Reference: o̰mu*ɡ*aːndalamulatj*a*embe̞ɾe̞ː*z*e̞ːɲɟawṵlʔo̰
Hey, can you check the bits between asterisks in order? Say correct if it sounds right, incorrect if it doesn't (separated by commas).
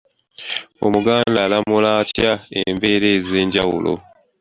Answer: correct, correct, correct